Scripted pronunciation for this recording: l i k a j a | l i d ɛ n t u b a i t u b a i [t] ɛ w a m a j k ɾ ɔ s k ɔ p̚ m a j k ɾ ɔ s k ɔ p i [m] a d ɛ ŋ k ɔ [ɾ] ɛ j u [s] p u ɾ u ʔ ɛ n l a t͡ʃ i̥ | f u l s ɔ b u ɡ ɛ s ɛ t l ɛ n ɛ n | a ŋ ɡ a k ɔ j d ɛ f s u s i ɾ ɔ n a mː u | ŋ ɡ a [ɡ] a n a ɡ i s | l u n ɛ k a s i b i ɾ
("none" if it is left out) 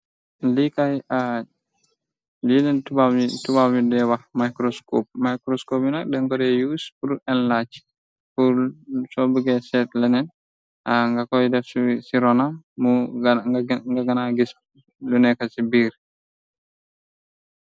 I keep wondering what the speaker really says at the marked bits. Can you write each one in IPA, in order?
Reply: d, n, ɾ, s, ɡ

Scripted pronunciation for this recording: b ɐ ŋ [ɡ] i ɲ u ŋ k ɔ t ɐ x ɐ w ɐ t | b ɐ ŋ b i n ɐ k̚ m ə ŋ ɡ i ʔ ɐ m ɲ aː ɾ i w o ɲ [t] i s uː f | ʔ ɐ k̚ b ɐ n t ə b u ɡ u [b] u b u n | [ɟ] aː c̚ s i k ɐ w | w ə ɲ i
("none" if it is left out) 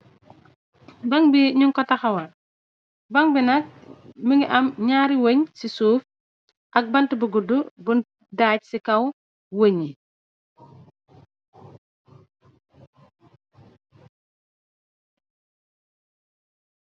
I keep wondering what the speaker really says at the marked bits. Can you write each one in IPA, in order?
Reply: b, s, d, d

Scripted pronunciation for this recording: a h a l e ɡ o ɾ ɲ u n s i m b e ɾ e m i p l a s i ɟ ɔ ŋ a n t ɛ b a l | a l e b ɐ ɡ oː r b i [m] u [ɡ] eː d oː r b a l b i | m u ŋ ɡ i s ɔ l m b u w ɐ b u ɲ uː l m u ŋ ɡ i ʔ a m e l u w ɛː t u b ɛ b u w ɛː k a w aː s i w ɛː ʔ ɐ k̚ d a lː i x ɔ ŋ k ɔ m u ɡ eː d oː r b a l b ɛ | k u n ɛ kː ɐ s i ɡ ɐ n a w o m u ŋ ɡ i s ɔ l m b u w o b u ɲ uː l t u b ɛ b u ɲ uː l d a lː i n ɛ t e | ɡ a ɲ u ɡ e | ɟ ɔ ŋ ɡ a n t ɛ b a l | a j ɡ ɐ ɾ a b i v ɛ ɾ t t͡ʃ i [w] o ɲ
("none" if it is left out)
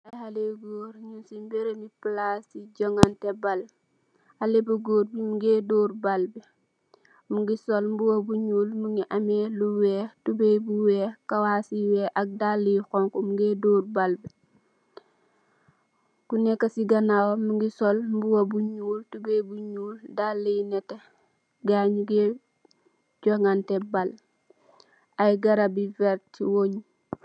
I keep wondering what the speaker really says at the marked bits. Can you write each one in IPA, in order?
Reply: m, ɡ, w

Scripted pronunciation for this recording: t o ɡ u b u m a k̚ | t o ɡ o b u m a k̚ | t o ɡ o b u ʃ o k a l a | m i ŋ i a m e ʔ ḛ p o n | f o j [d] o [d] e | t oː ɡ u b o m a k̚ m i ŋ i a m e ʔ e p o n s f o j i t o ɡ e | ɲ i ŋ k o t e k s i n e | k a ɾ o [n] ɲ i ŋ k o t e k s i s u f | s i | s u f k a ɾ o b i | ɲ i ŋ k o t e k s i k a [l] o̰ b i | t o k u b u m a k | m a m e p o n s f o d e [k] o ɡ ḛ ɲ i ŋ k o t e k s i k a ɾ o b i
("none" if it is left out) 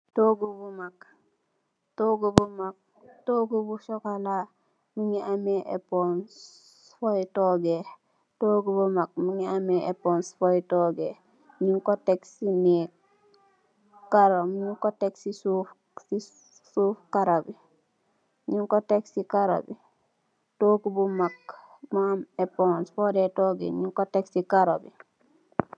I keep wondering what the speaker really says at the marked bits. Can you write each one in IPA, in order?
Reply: t, ɡ, m, ɾ, t

